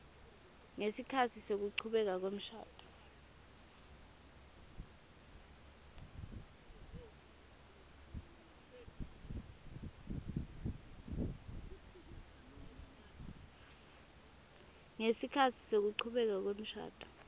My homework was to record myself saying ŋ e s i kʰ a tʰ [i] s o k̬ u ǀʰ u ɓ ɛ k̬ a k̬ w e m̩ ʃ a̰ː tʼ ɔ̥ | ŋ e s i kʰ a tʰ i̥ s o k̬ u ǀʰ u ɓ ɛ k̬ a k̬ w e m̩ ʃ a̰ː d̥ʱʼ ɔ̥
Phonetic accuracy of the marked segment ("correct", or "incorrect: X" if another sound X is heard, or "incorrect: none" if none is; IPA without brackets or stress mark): correct